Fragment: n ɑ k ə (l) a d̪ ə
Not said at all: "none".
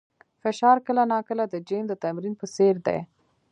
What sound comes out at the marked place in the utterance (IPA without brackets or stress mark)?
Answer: l